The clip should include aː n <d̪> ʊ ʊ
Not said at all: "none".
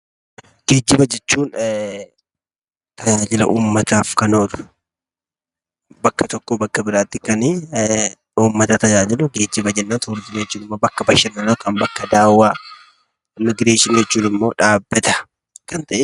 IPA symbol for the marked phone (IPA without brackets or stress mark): t̪